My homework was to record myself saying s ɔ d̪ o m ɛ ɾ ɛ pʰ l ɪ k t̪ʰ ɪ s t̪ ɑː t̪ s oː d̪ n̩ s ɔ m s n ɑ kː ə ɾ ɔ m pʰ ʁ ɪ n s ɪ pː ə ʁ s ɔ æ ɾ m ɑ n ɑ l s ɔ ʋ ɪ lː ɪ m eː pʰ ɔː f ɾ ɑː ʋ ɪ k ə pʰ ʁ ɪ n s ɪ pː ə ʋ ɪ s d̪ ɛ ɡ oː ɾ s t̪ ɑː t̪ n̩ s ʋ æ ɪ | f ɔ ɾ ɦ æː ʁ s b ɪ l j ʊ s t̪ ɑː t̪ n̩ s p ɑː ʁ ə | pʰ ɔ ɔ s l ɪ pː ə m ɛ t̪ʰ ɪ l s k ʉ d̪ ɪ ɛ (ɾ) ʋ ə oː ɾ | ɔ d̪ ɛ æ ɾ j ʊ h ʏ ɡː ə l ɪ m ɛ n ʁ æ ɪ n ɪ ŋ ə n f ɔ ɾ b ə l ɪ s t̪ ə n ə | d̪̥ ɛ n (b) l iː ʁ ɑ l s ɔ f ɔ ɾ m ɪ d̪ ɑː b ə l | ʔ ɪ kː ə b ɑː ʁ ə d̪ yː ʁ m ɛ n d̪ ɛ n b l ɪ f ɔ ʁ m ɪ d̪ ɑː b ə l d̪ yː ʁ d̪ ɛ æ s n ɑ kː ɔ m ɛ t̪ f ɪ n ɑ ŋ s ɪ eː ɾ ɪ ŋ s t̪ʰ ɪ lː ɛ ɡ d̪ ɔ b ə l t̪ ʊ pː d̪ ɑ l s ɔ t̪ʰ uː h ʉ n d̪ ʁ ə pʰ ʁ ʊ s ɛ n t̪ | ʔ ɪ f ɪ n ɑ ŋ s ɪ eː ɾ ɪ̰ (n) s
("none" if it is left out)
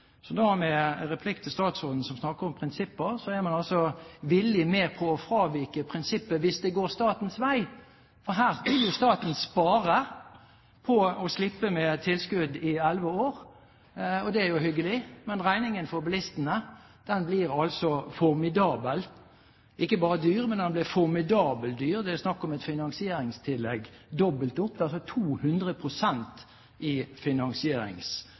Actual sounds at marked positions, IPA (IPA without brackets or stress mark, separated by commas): l, b, ŋ